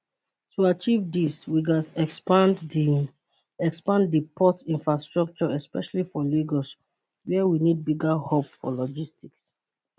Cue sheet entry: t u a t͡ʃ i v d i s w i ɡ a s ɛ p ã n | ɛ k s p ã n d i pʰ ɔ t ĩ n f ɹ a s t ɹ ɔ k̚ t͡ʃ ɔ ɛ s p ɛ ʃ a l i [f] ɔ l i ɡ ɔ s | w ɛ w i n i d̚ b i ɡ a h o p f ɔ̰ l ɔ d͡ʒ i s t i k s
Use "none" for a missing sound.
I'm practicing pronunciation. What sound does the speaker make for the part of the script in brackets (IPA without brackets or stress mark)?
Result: f